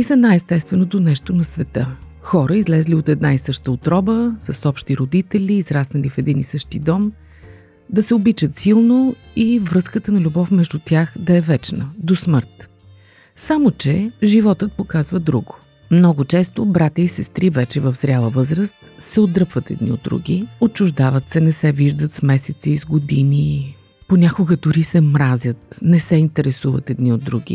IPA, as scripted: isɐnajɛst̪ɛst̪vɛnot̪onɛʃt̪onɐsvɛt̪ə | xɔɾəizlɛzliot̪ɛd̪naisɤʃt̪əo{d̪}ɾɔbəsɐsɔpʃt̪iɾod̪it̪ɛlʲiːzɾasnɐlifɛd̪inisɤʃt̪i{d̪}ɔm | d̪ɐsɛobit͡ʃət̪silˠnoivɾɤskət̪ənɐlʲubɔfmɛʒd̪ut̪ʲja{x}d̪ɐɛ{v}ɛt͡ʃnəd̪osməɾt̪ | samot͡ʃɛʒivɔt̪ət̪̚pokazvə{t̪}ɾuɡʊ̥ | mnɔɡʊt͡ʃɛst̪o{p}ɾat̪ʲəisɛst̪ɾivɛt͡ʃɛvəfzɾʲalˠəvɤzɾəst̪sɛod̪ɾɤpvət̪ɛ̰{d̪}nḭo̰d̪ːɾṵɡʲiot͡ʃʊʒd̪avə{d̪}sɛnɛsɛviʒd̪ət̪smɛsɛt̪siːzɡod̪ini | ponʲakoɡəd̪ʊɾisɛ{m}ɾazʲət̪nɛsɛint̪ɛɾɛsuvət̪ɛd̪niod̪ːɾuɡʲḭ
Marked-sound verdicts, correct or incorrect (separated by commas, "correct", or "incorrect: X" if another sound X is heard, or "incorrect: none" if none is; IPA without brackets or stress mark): incorrect: t̪, correct, correct, correct, incorrect: d̪, incorrect: b, correct, incorrect: t̪, correct